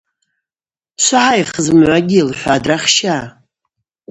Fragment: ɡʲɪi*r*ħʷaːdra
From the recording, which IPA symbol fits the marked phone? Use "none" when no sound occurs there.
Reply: l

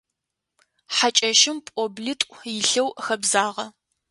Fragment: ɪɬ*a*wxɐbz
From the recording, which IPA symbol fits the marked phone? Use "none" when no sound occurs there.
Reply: ɐ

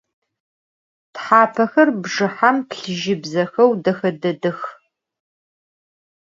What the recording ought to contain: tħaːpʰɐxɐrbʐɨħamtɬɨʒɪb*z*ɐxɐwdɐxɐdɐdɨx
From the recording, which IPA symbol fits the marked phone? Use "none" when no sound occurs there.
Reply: z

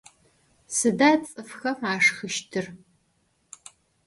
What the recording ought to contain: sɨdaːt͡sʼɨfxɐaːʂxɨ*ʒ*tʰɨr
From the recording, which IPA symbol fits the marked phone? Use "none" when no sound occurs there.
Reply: ʃ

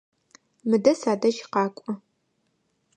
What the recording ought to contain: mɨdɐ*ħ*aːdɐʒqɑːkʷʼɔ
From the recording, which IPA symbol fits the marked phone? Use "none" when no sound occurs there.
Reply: s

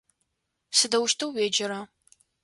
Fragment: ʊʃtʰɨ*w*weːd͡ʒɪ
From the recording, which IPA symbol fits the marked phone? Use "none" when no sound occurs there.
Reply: w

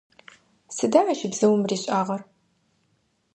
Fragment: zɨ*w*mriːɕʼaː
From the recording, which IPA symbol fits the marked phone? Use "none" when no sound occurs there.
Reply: w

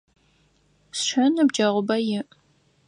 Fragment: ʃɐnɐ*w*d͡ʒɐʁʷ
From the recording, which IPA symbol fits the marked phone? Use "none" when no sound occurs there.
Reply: b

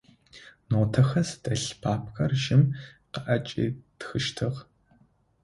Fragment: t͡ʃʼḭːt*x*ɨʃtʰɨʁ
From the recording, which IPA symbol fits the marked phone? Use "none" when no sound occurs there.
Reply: x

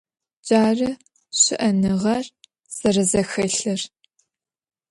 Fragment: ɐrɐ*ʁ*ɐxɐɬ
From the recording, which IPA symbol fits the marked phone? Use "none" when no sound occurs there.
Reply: z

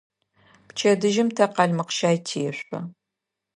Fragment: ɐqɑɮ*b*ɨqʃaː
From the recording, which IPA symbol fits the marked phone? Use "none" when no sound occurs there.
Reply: m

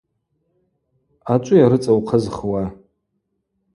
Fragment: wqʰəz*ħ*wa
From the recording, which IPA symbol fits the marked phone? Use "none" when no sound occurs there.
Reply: χ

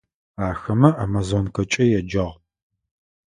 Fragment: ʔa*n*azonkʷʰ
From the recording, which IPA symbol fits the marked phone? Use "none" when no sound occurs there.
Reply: m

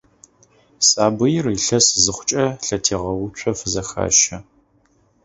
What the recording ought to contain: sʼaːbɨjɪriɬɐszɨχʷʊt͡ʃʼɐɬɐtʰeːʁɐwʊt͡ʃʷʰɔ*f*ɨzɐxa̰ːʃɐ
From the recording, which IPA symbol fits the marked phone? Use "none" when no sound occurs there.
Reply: f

